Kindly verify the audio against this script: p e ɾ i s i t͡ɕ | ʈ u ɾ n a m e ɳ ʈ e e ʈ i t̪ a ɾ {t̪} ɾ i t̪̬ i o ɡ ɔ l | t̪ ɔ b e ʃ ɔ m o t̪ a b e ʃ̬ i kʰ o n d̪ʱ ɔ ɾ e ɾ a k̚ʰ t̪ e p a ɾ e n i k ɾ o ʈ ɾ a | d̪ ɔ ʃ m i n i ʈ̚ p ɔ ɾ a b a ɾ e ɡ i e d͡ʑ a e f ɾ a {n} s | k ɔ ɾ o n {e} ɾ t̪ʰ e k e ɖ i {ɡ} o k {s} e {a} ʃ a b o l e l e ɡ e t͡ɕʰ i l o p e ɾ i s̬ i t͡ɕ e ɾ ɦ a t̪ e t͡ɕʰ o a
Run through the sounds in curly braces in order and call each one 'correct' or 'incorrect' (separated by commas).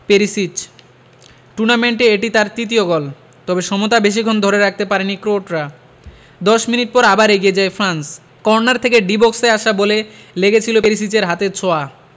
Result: correct, correct, incorrect, incorrect, correct, correct